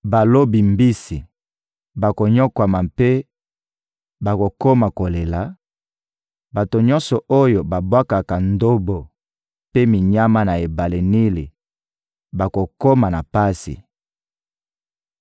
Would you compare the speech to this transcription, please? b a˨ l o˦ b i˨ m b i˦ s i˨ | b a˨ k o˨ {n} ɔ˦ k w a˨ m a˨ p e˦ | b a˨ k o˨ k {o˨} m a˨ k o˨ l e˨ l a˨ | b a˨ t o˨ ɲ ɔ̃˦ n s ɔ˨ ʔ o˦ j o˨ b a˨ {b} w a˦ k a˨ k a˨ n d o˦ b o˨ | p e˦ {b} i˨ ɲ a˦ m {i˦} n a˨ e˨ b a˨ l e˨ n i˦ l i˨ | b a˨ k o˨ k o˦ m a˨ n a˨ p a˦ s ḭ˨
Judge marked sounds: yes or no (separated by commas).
no, no, yes, no, no